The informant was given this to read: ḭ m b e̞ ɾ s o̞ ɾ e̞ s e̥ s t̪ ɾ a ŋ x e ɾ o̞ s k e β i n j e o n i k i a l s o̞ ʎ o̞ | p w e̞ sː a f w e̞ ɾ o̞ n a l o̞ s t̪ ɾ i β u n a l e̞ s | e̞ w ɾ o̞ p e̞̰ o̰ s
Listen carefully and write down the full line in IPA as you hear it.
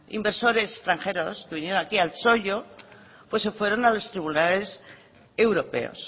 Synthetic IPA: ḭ m b e̞ ɾ s o̞ ɾ e̞ s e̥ s t̪ ɾ a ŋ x e ɾ o̞ s k e β i n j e o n a k i a l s o̞ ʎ o̞ | p w e̞ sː e f w e̞ ɾ o̞ n a l o̞ s t̪ ɾ i β u n a l e̞ s | e̞ w ɾ o̞ p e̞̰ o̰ s

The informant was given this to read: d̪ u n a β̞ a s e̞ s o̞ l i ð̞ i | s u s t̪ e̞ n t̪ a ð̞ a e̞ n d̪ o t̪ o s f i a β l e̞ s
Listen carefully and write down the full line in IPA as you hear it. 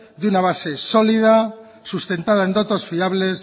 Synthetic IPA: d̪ u n a β̞ a s e̞ s o̞ l i ð̞ a | s u s t̪ e̞ n t̪ a ð̞ a e̞ n d̪ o t̪ o s f i a β l e̞ s

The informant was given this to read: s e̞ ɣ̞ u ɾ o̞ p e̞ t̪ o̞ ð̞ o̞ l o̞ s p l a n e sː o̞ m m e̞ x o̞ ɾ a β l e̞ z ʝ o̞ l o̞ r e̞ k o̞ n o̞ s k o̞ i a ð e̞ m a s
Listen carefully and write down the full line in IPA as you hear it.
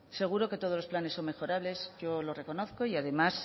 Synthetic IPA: s e̞ ɣ̞ u ɾ o̞ k e̞ t̪ o̞ ð̞ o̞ l o̞ s p l a n e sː o̞ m m e̞ x o̞ ɾ a β l e̞ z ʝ o̞ l o̞ r e̞ k o̞ n o̞ θ k o̞ i a ð e̞ m a s

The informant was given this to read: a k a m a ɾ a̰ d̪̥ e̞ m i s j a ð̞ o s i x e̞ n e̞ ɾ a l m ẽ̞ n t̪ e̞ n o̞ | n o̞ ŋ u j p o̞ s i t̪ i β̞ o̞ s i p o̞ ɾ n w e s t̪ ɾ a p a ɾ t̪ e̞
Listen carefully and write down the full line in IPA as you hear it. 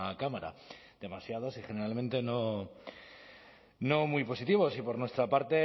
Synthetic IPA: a k a m a ɾ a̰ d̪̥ e̞ m a s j a ð̞ o s i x e̞ n e̞ ɾ a l m ẽ̞ n t̪ e̞ n o̞ | n o̞ m u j p o̞ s i t̪ i β̞ o̞ s i p o̞ ɾ n w e s t̪ ɾ a p a ɾ t̪ e̞

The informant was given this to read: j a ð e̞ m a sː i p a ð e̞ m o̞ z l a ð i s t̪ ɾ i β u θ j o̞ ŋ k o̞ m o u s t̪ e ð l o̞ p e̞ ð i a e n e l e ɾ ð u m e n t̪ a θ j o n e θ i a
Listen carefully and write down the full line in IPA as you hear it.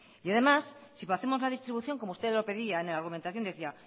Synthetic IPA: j a ð e̞ m a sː i p a θ e̞ m o̞ z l a ð i s t̪ ɾ i β u θ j o̞ ŋ k o̞ m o u s t̪ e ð l o̞ p e̞ ð i a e n e l a ɾ ɣ u m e n t̪ a θ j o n e θ i a

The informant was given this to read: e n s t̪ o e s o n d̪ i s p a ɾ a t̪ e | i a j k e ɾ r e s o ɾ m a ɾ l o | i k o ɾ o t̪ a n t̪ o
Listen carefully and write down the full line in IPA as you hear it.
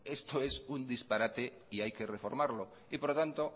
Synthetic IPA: e s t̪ o e s u n d̪ i s p a ɾ a t̪ e | i a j k e r e f o ɾ m a ɾ l o | i p o ɾ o t̪ a n t̪ o

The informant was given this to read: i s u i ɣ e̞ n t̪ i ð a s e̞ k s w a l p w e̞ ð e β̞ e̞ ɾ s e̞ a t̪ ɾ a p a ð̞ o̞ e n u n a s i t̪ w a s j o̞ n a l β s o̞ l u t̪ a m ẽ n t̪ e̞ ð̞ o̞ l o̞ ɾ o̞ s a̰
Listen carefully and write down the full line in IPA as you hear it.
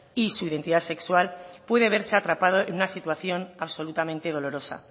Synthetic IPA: i s u i ð e̞ n t̪ i ð a s e̞ k s w a l p w e̞ ð e β̞ e̞ ɾ s e̞ a t̪ ɾ a p a ð̞ o̞ e n u n a s i t̪ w a θ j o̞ n a β s o̞ l u t̪ a m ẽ n t̪ e̞ ð̞ o̞ l o̞ ɾ o̞ s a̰

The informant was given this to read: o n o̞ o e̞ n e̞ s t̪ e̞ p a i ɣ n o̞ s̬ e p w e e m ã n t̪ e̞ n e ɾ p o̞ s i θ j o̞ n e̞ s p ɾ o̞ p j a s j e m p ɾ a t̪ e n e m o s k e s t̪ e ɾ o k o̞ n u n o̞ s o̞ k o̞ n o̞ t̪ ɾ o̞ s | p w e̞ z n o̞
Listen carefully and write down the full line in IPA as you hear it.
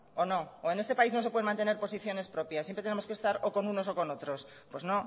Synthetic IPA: o n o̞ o e̞ n e̞ s t̪ e̞ p a i z n o̞ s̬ e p w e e m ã n t̪ e̞ n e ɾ p o̞ s i θ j o̞ n e̞ s p ɾ o̞ p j a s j e m p ɾ e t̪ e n e m o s k e s t̪ a ɾ o k o̞ n u n o̞ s o̞ k o̞ n o̞ t̪ ɾ o̞ s | p w e̞ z n o̞

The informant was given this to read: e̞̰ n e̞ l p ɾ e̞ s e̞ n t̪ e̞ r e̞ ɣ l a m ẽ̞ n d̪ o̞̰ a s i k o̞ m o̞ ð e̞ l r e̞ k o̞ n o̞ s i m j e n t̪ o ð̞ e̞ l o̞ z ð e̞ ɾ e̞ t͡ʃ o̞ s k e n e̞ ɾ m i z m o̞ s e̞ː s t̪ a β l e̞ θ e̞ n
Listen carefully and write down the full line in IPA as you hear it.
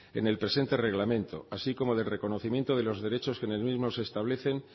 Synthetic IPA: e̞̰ n e̞ l p ɾ e̞ s e̞ n t̪ e̞ r e̞ ɣ l a m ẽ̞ n t̪ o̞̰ a s i k o̞ m o̞ ð e̞ l r e̞ k o̞ n o̞ θ i m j e n t̪ o ð̞ e̞ l o̞ z ð e̞ ɾ e̞ t͡ʃ o̞ s k e n e̞ l m i z m o̞ s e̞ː s t̪ a β l e̞ θ e̞ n

